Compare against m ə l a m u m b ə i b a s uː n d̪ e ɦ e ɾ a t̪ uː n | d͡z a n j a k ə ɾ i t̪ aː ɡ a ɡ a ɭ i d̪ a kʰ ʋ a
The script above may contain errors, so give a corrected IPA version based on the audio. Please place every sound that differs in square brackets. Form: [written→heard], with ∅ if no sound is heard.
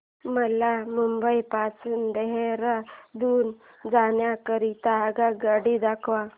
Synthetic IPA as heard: m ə l a m u m b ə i [b→p] a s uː n d̪ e ɦ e ɾ a [t̪→d̪] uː n | d͡z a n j a k ə ɾ i t̪ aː ɡ a ɡ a [ɭ→ɽ] i d̪ a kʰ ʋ a